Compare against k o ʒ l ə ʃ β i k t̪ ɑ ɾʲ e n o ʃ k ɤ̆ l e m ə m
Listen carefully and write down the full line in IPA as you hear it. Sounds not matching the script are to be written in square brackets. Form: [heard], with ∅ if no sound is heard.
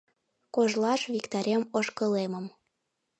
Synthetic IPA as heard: k o ʒ l [ɑ] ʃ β i k t̪ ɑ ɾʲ e [m] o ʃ k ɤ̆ l e m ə m